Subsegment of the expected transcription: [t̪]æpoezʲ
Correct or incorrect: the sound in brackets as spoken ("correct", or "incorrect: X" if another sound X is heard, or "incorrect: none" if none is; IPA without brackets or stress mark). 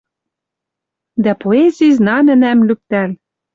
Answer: incorrect: d̪